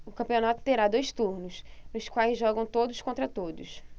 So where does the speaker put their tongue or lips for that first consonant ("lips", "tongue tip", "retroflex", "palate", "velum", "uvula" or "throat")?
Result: velum